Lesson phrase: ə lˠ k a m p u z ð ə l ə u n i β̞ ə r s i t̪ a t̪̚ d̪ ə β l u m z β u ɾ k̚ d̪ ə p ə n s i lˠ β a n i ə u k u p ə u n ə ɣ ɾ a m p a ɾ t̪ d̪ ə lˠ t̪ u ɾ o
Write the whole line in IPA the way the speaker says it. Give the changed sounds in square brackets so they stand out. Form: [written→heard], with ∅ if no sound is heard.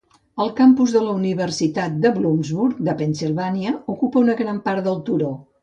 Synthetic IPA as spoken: ə lˠ k a m p u z ð ə l ə u n i β̞ ə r s i t̪ a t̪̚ d̪ ə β l u m z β u ɾ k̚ d̪ ə p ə n s i lˠ β a n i ə u k u p ə u n ə ɣ ɾ a m p a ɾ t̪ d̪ ə lˠ t̪ u ɾ o